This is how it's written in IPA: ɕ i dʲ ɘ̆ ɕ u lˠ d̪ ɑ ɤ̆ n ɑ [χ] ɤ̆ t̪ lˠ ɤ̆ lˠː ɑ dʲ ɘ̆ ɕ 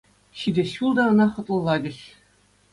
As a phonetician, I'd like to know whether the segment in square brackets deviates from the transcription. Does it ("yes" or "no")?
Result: no